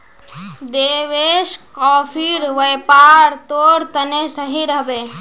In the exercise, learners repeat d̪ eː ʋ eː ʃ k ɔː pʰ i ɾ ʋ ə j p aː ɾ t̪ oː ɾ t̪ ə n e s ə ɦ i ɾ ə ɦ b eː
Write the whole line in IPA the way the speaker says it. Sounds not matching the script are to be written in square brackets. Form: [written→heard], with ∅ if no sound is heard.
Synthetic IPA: d̪ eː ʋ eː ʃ k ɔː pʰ i ɾ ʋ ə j p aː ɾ t̪ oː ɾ t̪ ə n e s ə ɦ i ɾ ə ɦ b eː